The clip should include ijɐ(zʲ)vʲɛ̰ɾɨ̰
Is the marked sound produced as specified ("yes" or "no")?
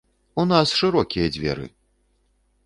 no